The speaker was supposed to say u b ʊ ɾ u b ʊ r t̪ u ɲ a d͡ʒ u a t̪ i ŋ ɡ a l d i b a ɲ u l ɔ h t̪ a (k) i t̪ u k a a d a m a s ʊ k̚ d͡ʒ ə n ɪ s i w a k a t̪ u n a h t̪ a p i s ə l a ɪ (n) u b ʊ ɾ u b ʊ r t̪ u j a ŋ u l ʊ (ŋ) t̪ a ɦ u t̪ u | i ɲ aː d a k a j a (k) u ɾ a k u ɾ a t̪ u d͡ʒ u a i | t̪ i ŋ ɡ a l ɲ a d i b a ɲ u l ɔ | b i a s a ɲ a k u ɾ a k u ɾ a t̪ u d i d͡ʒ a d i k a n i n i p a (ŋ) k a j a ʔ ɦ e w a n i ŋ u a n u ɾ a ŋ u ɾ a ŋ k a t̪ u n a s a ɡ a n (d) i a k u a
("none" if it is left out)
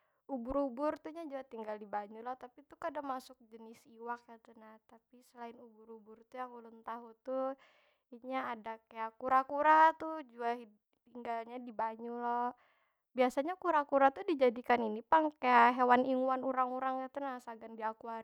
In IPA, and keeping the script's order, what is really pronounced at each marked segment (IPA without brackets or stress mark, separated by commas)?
p, n, n, k, ŋ, d